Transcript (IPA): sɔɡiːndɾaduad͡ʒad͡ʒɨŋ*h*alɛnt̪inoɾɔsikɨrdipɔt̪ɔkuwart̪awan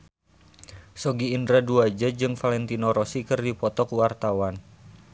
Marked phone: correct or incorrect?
incorrect